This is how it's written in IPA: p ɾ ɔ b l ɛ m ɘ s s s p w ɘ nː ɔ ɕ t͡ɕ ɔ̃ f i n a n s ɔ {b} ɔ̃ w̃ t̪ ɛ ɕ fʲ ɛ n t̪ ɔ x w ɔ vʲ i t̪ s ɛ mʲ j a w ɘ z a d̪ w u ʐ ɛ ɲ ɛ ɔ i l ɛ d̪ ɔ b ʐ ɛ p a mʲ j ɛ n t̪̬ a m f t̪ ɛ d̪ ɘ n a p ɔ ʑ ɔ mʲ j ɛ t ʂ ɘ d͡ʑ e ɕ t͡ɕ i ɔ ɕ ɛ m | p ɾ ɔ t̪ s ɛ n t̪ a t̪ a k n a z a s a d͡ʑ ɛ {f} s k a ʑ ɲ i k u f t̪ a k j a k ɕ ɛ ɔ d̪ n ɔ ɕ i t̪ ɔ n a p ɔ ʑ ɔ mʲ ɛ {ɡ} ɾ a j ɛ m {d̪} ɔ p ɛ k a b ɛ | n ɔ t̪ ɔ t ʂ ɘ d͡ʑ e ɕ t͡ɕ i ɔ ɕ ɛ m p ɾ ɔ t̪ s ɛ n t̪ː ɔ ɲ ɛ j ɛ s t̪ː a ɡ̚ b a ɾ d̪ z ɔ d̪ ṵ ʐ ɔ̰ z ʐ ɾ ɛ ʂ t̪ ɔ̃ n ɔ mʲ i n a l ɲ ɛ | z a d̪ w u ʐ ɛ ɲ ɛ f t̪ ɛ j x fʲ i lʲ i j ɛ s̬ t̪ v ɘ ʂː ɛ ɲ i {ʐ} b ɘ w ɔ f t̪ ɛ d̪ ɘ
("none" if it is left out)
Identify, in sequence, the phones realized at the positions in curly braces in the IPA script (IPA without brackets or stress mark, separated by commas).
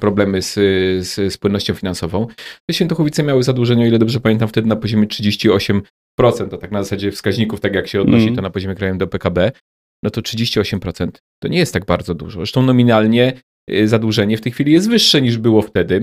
v, f, k, d̪, ʐ